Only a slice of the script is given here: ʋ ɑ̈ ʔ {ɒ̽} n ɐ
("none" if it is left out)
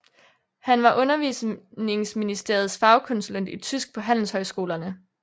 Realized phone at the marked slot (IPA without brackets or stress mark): ɔ̽